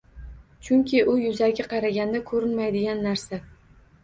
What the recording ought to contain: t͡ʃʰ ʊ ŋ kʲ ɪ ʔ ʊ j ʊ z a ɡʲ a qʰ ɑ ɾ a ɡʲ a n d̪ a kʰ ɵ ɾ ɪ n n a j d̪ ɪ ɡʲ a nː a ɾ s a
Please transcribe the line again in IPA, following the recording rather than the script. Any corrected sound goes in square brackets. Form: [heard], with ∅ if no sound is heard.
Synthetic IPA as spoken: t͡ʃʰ ʊ ŋ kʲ ɪ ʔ ʊ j ʊ z a ɡʲ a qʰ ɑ ɾ a ɡʲ a n d̪ a kʰ ɵ ɾ ɪ n [m] a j d̪ ɪ ɡʲ a nː a ɾ s a